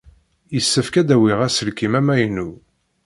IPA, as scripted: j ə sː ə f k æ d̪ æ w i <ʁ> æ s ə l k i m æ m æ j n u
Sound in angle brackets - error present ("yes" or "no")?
no